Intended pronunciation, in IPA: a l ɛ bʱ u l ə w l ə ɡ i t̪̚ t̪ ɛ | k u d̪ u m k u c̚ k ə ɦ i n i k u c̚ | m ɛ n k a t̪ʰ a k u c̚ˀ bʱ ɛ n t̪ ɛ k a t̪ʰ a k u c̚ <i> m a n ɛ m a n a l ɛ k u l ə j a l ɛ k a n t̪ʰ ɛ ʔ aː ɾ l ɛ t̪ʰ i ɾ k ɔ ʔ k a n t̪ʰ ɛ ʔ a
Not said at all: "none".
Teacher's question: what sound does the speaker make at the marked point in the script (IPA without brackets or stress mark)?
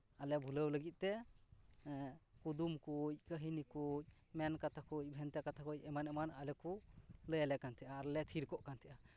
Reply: ɛ